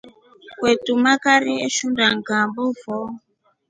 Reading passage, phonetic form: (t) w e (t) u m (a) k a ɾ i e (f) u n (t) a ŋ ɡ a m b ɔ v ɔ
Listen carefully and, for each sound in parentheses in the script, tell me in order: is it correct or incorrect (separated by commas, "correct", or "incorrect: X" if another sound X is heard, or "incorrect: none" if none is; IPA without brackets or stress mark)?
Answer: incorrect: k, correct, correct, incorrect: ʃ, incorrect: d